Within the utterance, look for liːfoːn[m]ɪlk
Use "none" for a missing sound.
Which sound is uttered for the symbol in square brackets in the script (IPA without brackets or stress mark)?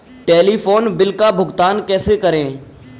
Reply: b